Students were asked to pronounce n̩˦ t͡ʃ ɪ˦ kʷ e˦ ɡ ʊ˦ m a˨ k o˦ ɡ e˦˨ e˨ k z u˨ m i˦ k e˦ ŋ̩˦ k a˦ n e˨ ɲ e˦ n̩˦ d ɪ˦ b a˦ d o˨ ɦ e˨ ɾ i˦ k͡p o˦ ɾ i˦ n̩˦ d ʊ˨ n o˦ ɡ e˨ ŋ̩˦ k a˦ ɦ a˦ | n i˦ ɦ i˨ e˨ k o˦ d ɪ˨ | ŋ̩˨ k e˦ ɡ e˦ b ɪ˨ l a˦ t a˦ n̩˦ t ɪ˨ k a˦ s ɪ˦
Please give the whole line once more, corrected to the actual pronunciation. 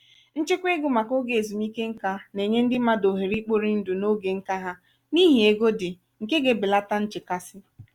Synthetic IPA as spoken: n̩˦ t͡ʃ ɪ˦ kʷ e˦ ɡ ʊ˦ m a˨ k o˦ ɡ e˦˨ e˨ z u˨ m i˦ k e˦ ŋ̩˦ k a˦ n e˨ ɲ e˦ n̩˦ d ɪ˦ m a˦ d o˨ ɦ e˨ ɾ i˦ k͡p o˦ ɾ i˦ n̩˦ d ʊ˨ n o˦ ɡ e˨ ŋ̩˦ k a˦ ɦ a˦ | n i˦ ɦ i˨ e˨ ɡ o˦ d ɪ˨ | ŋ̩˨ k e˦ ɡ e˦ b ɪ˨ l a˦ t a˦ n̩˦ t͡ʃ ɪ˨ k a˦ s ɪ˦